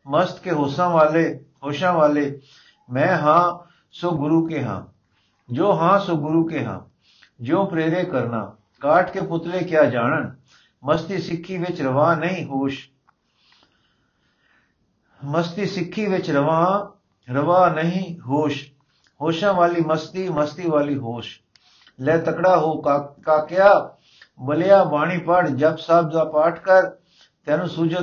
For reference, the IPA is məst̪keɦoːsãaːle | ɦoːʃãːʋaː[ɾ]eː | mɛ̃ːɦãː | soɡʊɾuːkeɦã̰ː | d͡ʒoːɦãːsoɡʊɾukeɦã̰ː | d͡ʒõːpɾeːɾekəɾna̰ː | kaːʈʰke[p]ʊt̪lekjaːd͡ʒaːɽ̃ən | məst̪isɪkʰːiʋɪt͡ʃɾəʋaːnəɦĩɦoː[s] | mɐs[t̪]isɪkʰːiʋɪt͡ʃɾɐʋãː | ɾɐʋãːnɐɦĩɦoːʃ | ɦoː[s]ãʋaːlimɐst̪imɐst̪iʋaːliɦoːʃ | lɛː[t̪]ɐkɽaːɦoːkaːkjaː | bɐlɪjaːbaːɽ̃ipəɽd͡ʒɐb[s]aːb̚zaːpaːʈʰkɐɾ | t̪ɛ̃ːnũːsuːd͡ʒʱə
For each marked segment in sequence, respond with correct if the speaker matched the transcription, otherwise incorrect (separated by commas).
incorrect, correct, incorrect, correct, incorrect, correct, correct